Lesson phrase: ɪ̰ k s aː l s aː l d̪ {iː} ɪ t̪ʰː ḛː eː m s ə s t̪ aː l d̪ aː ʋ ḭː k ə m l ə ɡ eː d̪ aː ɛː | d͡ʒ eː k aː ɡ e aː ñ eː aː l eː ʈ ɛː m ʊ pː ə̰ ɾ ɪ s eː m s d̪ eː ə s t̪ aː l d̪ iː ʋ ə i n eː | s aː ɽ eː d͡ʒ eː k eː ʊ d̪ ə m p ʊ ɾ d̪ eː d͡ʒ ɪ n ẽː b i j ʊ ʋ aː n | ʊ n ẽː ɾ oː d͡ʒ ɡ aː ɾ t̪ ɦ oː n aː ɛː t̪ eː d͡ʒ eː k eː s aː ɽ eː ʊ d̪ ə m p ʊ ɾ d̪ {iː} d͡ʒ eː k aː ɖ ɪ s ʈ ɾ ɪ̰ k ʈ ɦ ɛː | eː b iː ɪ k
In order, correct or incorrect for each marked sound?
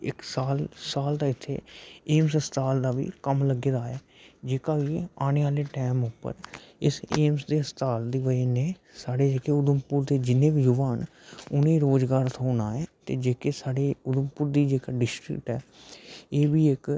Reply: incorrect: aː, correct

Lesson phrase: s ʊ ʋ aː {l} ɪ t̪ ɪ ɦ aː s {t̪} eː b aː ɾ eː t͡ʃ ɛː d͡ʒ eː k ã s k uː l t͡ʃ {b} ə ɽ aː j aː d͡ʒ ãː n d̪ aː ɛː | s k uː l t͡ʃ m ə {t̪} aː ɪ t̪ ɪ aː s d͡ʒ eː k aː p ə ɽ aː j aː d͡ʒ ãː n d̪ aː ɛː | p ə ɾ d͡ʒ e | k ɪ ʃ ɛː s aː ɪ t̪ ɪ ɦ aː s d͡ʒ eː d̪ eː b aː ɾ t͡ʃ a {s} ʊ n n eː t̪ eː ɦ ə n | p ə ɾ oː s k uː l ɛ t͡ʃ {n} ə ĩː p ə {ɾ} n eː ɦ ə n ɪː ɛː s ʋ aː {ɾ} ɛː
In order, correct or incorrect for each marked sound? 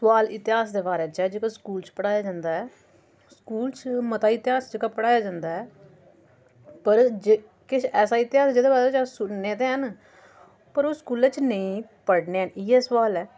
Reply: correct, incorrect: d̪, incorrect: p, correct, correct, correct, incorrect: ɽ, incorrect: l

